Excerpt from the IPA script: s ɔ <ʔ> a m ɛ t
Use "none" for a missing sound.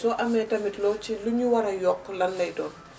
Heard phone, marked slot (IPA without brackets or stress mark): ʔ